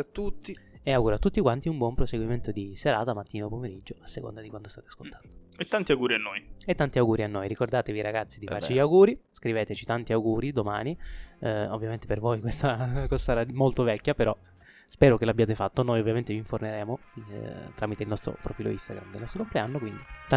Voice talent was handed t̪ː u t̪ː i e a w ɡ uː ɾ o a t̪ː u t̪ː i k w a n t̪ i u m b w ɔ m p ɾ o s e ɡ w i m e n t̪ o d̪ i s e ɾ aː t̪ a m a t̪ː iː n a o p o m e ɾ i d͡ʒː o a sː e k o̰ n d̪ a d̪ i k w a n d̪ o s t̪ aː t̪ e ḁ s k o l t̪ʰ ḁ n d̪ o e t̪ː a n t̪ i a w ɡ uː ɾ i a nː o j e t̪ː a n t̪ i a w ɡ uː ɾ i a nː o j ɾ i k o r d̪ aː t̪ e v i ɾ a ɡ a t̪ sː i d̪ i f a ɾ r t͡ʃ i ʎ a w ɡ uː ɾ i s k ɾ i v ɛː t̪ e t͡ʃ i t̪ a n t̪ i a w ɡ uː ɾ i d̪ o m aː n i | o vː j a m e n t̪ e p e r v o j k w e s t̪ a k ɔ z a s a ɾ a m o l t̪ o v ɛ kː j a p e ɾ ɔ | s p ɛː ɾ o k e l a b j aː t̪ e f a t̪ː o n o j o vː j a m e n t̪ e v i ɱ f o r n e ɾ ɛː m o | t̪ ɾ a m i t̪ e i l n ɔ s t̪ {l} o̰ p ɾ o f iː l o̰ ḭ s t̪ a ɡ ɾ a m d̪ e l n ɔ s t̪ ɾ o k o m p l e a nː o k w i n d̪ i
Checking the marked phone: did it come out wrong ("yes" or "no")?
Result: yes